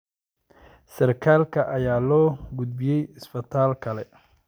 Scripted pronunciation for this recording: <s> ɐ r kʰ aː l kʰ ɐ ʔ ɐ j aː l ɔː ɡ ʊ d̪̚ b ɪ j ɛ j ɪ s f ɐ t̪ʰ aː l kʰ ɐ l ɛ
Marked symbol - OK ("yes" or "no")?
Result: yes